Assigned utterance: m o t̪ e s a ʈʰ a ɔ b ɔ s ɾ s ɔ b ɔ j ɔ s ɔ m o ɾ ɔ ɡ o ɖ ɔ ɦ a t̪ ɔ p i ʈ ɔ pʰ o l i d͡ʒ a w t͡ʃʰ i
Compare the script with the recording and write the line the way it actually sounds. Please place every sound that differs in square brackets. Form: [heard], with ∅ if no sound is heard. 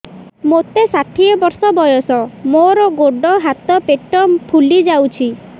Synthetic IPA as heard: m o t̪ e s a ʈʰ [i] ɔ b ɔ [∅] ɾ s ɔ b ɔ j ɔ s ɔ m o ɾ ɔ ɡ o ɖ ɔ ɦ a t̪ ɔ p [e] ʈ ɔ pʰ [u] l i d͡ʒ a w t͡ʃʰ i